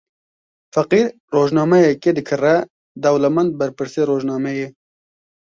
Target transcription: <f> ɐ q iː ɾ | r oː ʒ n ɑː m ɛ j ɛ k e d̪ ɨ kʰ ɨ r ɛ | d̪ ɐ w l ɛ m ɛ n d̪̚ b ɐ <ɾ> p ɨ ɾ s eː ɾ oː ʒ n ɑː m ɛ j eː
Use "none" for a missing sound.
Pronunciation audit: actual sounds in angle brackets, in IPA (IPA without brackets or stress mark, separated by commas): f, ɾ